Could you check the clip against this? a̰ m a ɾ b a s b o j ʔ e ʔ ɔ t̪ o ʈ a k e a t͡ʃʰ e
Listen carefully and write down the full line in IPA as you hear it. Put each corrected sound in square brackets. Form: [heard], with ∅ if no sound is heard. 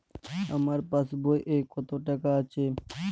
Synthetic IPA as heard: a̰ m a ɾ [p] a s b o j ʔ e [k] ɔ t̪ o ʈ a k [a] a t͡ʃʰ e

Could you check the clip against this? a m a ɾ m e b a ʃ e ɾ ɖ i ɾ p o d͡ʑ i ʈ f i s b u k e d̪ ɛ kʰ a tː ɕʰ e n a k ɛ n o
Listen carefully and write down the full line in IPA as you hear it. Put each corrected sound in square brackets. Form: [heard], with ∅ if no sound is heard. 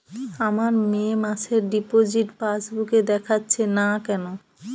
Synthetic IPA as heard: a m a ɾ m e [m] a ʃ e ɾ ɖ i [∅] p o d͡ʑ i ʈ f [a] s b u k e d̪ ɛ kʰ a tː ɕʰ e n a k ɛ n o

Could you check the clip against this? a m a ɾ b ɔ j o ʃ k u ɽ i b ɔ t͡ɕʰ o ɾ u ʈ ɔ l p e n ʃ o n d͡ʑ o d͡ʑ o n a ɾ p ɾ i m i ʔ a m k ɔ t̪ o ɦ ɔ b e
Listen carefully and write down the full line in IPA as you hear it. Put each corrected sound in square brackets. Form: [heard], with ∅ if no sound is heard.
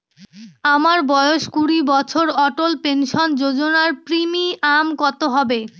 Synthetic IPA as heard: a m a ɾ b ɔ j o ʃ k u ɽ i b ɔ t͡ɕʰ o ɾ [ɔ] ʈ [o] l p e n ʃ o n d͡ʑ o d͡ʑ o n a ɾ p ɾ i m i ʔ a m k ɔ t̪ o ɦ ɔ b e

